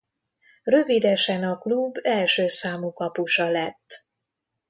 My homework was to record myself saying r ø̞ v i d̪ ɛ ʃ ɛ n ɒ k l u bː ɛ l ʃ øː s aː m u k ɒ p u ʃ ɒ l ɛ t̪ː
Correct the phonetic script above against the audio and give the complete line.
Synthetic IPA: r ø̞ v i d̪ ɛ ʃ ɛ n ɒ k l u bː ɛ l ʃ øː s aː m u k ɒ p u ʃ ɒ l ɛ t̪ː